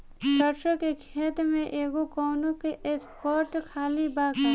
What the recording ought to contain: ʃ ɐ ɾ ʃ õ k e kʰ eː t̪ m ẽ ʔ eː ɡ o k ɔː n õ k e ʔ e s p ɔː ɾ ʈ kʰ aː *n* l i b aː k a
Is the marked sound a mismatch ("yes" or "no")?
yes